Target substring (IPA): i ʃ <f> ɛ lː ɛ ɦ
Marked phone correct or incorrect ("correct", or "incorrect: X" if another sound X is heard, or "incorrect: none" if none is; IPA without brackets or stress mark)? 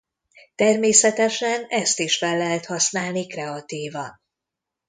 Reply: correct